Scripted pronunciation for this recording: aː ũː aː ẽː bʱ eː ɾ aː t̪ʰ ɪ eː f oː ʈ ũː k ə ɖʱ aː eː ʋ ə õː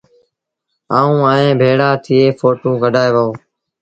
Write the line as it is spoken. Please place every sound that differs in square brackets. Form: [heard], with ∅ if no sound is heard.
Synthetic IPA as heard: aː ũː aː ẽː bʱ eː [ɽ] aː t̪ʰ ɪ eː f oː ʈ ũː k ə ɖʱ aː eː ʋ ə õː